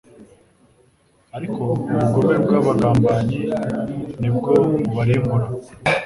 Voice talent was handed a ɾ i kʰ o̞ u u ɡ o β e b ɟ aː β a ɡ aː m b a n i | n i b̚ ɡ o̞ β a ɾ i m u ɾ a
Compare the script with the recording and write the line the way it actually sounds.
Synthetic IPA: a ɾ i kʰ o̞ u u ɡ o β e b ɡ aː β a ɡ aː m b a ɲ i | n i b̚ ɡ o̞ β a ɾ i m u ɾ a